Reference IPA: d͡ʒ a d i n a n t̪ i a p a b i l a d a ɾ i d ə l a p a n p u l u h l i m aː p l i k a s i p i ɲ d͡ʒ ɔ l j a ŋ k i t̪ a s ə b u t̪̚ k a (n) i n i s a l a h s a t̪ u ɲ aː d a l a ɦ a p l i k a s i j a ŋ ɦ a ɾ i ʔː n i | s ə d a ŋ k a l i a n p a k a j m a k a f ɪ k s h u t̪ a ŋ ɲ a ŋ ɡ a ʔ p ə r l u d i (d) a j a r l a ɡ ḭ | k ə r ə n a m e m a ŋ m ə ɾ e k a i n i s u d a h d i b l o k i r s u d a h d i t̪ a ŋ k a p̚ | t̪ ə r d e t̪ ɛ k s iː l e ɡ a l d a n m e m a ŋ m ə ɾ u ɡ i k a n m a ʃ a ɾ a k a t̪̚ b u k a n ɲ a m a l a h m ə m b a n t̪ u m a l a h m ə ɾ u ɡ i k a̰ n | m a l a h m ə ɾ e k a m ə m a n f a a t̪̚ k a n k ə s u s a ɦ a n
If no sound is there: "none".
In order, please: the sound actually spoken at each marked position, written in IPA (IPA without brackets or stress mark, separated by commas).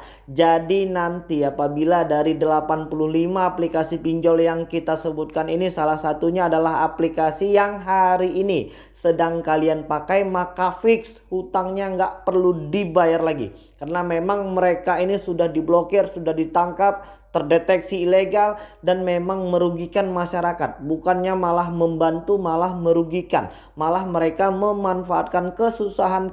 n, b